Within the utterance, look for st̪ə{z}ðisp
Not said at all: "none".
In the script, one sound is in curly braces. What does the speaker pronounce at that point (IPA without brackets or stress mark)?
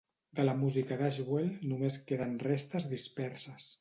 z